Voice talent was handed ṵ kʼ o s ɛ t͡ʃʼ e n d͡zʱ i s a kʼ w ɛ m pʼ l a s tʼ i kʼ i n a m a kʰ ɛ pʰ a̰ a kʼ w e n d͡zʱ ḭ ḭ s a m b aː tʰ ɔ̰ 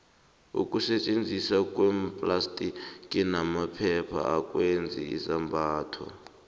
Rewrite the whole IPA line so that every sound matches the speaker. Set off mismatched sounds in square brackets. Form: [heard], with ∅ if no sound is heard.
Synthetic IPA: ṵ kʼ [u] s ɛ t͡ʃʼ e n d͡zʱ i s a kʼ w ɛ m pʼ l a s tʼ i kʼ i n a m a [pʰ] ɛ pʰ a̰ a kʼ w e n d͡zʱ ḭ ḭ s a m b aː tʰ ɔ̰